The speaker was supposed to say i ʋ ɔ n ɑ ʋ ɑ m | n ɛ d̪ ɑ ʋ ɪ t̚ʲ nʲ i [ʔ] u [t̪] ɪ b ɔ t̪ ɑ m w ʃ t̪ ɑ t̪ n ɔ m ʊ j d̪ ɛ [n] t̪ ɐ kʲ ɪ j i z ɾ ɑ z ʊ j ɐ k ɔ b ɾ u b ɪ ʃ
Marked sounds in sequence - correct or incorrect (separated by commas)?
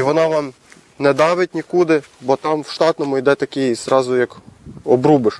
incorrect, incorrect, incorrect